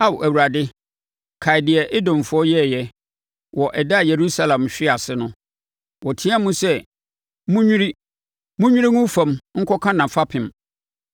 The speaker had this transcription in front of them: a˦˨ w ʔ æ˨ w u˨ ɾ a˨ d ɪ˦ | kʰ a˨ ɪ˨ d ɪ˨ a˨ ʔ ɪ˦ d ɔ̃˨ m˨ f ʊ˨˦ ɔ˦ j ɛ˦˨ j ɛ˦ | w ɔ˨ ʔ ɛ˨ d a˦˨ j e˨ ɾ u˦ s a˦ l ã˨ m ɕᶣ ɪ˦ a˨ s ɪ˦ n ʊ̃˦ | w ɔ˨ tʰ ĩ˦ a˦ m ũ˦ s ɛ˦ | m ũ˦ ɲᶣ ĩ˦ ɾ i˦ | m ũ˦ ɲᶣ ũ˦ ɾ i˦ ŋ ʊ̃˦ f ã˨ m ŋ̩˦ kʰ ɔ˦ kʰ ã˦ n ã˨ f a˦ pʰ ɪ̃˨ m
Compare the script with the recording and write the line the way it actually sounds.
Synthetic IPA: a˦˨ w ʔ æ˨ w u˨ ɾ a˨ d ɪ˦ | kʰ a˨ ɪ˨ d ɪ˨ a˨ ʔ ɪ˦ d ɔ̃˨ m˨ f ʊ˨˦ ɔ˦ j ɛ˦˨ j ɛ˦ | w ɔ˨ ʔ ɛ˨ d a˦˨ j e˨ ɾ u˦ s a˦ l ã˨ m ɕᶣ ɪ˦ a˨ s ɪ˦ n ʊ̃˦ | w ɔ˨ tʰ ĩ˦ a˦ m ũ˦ s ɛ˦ | m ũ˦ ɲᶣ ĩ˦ ɾ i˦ | m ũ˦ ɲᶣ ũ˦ ɾ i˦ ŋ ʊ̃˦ f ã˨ m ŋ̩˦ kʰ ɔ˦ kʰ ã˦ n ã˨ f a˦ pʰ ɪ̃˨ m